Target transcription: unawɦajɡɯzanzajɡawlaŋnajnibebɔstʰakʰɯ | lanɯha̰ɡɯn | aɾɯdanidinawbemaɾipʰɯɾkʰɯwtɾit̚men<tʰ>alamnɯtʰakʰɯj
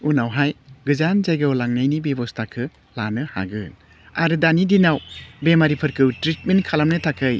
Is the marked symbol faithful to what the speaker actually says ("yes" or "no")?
no